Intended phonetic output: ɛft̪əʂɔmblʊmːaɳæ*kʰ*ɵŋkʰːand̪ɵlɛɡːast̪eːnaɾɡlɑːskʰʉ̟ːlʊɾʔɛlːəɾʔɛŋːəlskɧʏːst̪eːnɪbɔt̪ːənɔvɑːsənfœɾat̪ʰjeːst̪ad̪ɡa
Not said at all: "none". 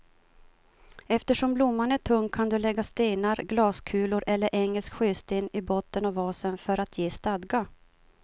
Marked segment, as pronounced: ʈʰ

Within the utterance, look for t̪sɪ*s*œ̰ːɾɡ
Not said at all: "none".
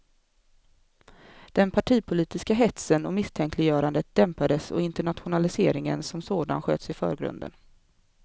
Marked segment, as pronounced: f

